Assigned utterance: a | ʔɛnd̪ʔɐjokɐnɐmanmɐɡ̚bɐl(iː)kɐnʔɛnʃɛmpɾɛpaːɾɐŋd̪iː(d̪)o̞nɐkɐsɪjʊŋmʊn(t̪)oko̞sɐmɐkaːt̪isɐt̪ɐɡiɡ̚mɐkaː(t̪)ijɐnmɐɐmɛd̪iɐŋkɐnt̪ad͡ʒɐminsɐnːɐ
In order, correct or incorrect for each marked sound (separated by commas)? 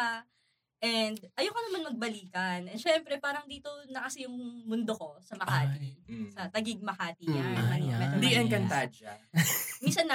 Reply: correct, incorrect, incorrect, correct